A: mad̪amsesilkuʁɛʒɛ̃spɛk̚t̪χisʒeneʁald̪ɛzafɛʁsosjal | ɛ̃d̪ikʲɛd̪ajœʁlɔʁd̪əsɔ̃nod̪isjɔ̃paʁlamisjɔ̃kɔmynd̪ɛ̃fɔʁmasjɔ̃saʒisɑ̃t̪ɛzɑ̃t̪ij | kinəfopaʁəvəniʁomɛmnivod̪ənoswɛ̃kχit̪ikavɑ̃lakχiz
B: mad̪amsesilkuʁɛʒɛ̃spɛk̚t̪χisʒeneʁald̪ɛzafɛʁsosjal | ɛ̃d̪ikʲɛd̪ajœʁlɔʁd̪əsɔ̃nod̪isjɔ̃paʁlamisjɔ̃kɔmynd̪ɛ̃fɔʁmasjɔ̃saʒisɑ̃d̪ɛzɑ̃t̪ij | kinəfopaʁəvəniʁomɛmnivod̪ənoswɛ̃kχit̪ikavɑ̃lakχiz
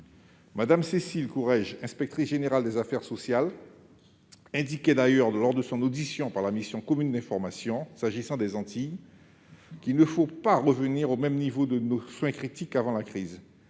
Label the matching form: B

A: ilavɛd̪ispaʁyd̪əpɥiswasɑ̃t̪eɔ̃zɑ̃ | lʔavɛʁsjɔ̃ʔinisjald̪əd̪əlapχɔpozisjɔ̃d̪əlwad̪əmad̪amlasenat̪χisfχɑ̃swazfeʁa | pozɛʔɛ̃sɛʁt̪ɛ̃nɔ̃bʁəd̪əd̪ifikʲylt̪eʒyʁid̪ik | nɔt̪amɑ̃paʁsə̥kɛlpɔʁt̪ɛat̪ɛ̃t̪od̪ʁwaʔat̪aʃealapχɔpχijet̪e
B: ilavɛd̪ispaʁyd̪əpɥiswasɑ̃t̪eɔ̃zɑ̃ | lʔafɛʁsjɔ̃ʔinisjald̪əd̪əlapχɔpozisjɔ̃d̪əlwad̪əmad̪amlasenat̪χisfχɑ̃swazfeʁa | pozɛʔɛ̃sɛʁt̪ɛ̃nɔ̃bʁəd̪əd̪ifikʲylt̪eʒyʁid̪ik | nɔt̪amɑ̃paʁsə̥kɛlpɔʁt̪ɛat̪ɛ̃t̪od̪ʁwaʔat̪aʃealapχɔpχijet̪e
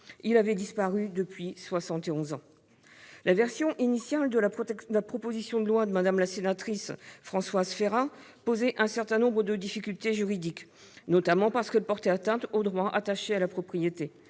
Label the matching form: A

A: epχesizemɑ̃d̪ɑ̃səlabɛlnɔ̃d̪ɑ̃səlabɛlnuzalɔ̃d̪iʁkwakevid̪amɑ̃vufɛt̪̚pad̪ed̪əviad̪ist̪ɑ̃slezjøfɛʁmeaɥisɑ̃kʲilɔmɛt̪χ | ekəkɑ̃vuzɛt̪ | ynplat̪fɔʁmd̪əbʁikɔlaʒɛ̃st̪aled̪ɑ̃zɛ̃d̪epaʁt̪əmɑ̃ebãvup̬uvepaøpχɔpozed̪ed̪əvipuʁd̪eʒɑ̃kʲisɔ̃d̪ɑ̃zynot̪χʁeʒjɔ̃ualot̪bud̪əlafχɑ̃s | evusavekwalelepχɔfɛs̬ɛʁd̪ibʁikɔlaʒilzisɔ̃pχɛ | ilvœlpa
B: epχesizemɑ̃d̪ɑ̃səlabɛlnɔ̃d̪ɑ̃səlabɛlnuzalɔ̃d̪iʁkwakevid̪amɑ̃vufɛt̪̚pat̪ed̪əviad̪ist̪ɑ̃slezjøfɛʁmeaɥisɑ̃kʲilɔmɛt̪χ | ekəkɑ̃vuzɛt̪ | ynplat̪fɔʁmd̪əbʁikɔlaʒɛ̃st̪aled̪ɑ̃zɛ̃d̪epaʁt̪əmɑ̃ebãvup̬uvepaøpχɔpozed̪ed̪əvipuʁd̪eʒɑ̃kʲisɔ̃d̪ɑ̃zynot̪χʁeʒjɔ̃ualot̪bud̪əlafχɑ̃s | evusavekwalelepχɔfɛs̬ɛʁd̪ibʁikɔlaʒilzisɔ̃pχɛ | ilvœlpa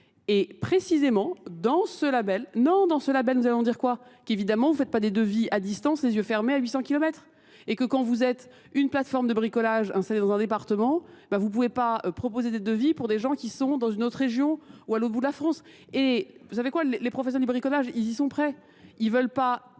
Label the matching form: A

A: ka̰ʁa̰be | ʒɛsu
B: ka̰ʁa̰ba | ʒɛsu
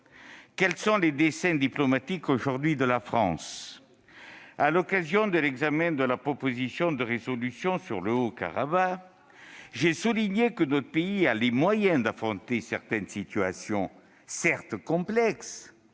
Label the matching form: B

